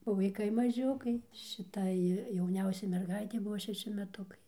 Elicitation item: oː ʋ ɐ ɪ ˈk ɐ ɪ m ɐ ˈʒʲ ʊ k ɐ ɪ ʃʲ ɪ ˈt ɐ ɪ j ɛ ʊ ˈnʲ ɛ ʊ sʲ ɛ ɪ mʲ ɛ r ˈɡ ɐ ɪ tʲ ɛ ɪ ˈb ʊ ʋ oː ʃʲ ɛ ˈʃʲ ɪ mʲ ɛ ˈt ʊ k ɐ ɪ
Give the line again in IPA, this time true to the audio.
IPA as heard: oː ʋ ɐ ɪ ˈk ɐ ɪ m ɐ ˈʒʲ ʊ k ɐ ɪ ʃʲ ɪ ˈt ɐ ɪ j ɛ ʊ ˈnʲ ɛ ʊ sʲ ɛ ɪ mʲ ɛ r ˈɡ ɐ ɪ tʲ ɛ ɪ ˈb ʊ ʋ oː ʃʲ ɛ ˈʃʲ ɪ mʲ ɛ ˈt ʊ k ɐ ɪ

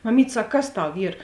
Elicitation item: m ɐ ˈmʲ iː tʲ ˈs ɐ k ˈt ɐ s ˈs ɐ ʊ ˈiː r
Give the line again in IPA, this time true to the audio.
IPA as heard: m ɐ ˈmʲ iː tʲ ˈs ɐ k ˈk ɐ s ˈt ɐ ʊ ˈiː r

